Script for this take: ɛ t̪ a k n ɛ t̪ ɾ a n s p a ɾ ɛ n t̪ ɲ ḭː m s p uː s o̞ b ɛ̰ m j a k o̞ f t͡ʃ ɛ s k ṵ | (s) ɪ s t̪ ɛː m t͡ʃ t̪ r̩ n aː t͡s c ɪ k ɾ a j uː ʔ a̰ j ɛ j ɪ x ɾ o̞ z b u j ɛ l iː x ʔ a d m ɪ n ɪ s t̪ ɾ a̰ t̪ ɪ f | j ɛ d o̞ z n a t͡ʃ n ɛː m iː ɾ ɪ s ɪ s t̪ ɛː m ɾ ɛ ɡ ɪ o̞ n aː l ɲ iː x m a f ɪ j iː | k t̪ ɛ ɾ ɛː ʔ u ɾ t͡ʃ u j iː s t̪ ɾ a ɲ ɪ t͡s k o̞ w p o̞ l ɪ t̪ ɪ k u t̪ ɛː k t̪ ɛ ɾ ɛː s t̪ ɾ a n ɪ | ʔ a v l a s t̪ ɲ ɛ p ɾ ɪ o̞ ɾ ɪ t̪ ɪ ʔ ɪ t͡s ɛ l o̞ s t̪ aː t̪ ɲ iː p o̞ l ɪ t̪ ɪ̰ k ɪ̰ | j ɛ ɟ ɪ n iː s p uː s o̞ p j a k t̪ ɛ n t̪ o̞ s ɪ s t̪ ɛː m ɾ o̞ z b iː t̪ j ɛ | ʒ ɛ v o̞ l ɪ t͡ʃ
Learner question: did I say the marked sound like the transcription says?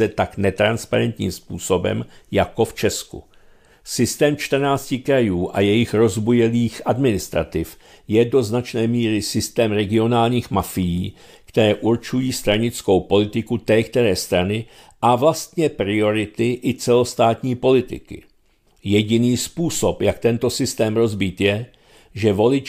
yes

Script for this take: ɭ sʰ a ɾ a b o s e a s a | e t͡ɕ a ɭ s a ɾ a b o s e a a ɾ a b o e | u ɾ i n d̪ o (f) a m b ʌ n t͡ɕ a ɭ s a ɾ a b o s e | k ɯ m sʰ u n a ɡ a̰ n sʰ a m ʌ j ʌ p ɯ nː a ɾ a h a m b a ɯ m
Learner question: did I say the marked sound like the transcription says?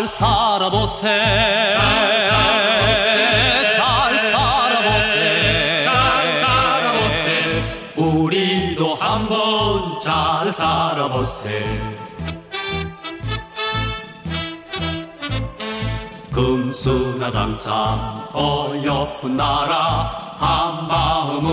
no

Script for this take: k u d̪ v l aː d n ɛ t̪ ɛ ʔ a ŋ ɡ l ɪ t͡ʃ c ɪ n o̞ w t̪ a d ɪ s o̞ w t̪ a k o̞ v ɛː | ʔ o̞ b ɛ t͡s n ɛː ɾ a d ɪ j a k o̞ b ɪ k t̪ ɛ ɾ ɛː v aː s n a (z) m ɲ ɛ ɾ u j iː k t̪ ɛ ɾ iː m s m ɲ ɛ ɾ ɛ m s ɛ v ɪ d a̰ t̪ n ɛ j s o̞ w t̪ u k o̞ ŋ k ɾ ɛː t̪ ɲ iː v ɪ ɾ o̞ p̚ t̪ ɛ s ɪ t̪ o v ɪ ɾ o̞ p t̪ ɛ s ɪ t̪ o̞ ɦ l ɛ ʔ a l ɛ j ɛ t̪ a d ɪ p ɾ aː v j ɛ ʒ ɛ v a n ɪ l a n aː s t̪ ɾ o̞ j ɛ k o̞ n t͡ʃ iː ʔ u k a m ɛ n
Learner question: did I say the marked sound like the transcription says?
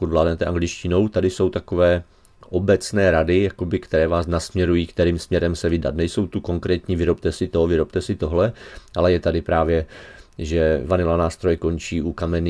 no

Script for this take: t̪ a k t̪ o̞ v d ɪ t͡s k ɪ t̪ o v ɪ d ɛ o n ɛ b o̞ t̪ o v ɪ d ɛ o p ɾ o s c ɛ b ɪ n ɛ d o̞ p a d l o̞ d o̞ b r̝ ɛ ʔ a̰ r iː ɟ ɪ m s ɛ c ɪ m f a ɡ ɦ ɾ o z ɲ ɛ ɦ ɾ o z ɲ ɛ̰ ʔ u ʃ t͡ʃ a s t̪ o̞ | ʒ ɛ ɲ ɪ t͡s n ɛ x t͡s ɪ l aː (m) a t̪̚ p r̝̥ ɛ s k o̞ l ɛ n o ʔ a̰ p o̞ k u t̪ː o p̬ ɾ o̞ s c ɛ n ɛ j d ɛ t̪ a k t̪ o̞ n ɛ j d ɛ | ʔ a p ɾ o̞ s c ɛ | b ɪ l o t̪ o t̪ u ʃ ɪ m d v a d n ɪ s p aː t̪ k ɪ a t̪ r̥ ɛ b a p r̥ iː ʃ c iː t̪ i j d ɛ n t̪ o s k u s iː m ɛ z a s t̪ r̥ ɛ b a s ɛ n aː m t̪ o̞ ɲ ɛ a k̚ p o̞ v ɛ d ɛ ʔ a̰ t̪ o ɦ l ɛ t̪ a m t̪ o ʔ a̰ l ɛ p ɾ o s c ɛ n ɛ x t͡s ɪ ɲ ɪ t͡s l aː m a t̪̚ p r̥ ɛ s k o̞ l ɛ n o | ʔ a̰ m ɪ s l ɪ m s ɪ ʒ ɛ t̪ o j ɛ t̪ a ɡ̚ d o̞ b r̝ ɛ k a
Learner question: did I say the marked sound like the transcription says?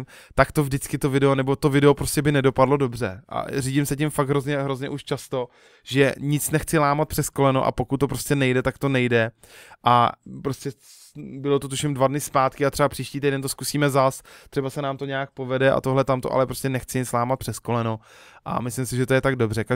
yes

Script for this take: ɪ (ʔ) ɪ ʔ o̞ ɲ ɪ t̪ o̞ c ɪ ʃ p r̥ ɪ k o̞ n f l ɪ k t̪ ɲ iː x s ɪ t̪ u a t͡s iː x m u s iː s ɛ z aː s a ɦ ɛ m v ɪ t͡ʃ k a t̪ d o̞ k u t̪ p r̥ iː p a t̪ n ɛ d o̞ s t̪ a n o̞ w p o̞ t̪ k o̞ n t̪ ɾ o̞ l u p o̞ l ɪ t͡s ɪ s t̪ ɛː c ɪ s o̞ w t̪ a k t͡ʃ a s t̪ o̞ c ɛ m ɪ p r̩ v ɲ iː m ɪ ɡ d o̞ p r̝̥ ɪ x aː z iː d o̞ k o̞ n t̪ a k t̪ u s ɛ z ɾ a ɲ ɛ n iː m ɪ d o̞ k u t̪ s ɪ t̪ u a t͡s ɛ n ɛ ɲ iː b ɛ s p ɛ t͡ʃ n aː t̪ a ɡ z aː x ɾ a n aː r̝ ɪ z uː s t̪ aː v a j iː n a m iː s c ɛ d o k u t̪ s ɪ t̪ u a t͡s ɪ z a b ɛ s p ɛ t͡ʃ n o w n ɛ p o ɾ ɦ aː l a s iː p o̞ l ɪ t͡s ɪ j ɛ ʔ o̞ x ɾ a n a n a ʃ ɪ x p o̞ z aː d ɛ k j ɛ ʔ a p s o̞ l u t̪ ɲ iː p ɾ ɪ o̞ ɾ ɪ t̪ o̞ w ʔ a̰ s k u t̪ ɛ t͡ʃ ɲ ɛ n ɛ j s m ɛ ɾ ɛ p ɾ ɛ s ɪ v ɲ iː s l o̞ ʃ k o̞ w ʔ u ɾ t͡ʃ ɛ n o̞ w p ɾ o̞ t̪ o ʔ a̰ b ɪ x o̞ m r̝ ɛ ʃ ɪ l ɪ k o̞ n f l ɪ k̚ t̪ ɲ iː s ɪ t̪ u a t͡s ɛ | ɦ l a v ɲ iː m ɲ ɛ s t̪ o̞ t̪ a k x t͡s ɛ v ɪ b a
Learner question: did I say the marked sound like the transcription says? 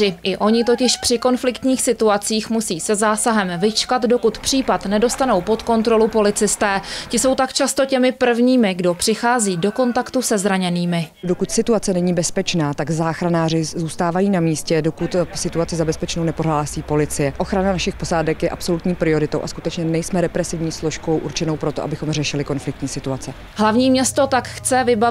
yes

